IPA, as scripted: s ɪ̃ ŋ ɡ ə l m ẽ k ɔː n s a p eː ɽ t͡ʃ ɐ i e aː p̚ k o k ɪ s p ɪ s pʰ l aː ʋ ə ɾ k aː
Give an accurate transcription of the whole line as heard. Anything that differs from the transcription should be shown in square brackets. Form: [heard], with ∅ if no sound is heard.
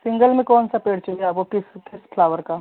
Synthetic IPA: s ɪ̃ ŋ ɡ ə l m ẽ k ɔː n s a p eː ɽ t͡ʃ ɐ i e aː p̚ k o k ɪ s [k] ɪ s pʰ l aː ʋ ə ɾ k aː

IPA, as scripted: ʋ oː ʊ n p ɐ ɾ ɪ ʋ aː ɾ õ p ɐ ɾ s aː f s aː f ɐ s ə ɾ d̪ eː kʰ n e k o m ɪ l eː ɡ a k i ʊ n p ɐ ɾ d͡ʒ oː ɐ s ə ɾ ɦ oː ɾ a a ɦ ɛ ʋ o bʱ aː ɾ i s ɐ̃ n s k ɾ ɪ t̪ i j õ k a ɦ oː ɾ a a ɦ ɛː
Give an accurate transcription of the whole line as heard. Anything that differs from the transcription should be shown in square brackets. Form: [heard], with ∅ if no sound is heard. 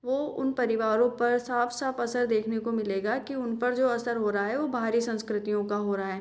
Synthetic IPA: ʋ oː ʊ n p ɐ ɾ ɪ ʋ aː ɾ õ p ɐ ɾ s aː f s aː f ɐ s ə ɾ d̪ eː kʰ n e k o m ɪ l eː ɡ a k i ʊ n p ɐ ɾ d͡ʒ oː ɐ s ə ɾ ɦ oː ɾ a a ɦ ɛ ʋ o bʱ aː ɾ i s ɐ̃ n s k ɾ ɪ t̪ i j õ k a ɦ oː ɾ a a ɦ ɛː

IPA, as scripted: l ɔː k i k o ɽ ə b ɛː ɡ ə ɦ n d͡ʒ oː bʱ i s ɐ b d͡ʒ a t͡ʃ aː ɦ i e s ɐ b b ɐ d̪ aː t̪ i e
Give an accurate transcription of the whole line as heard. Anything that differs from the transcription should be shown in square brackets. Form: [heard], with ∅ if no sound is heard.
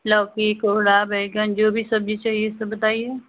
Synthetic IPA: l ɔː k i k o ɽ [a] b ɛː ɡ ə [∅] n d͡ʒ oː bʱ i s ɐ b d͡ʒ [i] t͡ʃ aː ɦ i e s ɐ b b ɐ [t̪] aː [∅] i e

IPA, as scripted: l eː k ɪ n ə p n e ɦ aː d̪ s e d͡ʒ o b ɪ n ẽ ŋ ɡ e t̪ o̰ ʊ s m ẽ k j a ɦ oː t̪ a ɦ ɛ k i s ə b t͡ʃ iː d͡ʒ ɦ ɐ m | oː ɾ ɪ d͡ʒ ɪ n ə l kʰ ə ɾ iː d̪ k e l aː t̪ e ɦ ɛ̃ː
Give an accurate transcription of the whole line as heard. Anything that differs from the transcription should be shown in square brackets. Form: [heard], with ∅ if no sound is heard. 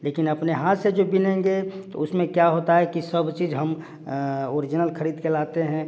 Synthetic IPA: l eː k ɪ n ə p n e ɦ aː [t̪] s e d͡ʒ o b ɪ n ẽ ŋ ɡ e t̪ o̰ ʊ s m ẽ k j a ɦ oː t̪ a ɦ ɛ k i s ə b t͡ʃ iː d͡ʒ ɦ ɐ m | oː ɾ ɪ d͡ʒ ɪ n ə l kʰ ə ɾ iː d̪ k e l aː t̪ e ɦ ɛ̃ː

